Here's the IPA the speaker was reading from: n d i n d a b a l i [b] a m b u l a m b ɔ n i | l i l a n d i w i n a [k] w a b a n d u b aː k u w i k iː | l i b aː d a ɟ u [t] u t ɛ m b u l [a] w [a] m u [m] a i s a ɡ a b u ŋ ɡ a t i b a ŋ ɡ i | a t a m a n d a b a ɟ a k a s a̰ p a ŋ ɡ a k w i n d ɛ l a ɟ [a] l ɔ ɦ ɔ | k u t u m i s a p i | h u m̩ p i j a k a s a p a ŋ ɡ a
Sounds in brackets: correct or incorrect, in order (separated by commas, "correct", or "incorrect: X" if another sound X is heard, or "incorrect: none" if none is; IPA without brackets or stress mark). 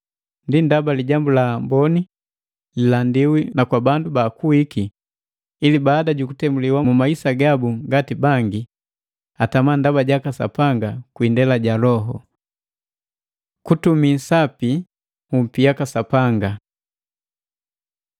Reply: incorrect: ɟ, correct, incorrect: k, incorrect: i, correct, correct, correct